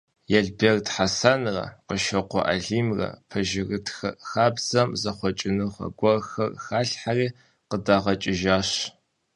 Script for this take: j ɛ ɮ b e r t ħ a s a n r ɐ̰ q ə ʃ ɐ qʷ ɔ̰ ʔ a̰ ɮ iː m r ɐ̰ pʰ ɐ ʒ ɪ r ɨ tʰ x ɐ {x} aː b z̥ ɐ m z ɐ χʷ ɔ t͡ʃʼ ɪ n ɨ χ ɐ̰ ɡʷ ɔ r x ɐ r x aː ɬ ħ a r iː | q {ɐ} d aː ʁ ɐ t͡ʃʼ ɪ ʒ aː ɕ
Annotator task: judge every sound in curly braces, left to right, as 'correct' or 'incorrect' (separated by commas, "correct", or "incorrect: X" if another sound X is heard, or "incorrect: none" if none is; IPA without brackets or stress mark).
correct, incorrect: ə